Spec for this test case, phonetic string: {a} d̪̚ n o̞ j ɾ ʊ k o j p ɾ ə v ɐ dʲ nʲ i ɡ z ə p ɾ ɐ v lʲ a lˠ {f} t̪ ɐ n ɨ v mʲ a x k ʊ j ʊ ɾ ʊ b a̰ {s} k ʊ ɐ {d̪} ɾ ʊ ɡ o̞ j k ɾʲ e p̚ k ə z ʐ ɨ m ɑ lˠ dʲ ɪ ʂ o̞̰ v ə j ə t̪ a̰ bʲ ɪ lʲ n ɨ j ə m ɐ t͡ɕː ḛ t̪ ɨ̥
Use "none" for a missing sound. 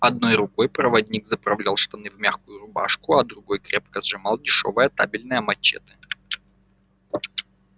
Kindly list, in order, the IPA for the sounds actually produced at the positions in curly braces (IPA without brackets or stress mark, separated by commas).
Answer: ɐ, ʂ, ʂ, d̪